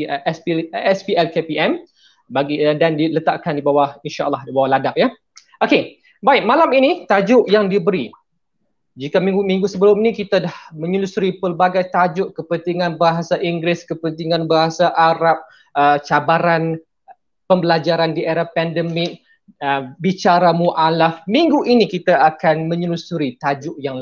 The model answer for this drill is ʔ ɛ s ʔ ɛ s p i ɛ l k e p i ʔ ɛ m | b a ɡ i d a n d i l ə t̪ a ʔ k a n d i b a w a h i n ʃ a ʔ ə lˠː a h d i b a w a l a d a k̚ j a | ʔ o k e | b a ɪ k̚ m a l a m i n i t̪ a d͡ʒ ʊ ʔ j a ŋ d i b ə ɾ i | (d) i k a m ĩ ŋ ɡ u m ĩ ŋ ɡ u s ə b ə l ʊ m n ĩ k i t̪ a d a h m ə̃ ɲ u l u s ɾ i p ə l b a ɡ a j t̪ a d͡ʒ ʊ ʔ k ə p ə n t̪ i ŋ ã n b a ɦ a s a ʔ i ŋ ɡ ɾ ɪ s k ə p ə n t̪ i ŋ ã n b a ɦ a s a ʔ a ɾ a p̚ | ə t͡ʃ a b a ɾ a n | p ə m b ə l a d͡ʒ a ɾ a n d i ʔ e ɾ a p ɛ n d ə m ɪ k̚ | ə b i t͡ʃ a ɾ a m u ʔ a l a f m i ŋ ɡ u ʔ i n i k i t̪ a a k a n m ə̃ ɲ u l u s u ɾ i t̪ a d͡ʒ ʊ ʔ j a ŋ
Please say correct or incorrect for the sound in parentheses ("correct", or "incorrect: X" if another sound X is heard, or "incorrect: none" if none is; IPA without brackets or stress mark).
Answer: incorrect: d͡ʒ